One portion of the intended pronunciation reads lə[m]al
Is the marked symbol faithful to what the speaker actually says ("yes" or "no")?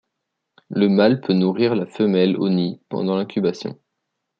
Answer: yes